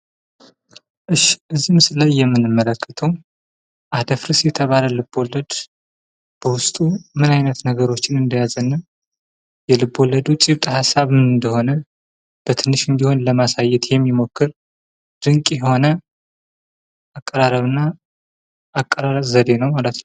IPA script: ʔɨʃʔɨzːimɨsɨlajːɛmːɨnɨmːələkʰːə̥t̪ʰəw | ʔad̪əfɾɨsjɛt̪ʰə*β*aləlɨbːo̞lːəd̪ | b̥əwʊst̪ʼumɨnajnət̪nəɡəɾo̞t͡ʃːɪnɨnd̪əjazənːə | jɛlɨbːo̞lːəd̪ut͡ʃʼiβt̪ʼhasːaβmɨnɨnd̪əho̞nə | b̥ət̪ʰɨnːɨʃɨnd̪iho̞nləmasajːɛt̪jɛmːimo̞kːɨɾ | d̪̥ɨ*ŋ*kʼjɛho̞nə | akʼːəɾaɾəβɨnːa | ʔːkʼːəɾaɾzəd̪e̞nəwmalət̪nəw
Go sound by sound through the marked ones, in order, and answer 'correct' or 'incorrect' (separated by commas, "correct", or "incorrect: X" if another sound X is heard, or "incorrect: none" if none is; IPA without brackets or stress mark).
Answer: correct, correct